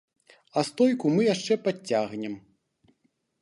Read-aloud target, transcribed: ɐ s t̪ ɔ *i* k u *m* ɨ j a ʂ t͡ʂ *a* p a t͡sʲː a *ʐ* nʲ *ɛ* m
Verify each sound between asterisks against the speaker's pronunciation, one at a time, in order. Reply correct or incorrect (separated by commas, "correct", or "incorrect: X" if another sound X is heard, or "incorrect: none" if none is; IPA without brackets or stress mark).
incorrect: j, correct, incorrect: ɛ, incorrect: ɣ, correct